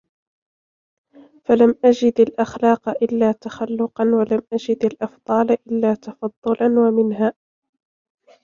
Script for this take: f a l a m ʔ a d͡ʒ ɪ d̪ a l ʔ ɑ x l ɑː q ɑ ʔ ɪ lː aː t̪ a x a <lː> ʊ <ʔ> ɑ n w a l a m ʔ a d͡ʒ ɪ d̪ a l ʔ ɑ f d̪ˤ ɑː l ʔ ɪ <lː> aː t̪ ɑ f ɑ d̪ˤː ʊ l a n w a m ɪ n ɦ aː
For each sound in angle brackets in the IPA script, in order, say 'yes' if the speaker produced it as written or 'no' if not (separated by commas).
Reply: yes, no, yes